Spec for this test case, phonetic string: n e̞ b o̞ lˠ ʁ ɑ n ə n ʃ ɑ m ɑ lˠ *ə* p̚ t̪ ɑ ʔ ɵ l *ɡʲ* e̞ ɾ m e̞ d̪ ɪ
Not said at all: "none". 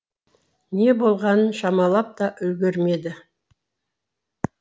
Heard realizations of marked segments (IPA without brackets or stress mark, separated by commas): ɑ, ɡʲ